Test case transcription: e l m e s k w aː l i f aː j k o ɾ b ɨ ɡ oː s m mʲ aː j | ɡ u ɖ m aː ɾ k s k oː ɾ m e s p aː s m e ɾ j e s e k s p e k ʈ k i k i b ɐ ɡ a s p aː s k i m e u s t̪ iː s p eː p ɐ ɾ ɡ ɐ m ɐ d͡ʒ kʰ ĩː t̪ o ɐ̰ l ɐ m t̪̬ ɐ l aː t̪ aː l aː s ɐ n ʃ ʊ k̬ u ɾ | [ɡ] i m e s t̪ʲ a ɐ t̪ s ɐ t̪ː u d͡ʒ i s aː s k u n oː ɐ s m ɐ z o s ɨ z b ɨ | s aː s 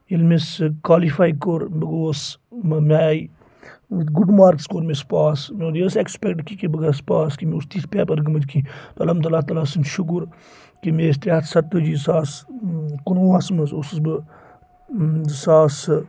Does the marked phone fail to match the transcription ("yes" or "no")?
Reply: yes